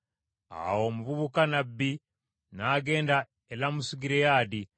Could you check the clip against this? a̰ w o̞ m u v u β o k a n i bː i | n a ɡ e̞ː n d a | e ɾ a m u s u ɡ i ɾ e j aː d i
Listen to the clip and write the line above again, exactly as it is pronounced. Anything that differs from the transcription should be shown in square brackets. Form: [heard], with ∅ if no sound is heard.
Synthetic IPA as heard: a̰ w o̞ m u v u β [u] k a n [a] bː i | n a ɡ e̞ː n d a | e [l] a m u s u ɡ i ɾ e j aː d i